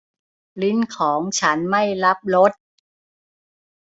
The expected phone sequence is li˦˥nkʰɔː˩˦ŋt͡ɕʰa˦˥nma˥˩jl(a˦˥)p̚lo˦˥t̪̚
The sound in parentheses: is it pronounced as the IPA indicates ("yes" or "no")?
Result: yes